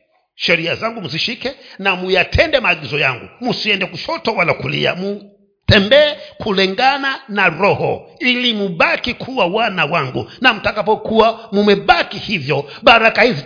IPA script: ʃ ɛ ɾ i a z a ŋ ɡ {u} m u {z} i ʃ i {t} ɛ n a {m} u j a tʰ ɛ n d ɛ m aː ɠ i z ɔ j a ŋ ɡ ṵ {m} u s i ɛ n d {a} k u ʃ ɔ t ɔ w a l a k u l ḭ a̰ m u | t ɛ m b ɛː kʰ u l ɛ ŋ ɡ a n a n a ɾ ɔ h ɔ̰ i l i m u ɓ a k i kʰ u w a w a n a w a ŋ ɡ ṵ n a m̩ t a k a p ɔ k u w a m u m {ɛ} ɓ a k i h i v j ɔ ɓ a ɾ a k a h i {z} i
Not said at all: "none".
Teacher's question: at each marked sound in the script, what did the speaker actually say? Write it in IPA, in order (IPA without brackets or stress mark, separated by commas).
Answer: u, z, k, m, m, ɛ, ɛ, z